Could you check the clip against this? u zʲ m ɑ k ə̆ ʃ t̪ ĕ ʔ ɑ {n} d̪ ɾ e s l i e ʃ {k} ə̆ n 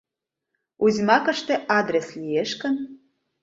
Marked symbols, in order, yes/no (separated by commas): no, yes